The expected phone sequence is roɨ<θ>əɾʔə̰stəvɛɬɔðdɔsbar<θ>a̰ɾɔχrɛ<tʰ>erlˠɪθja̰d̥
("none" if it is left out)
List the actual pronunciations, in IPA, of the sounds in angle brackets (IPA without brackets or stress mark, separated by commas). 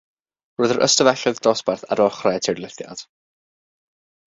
ð, θ, tʰ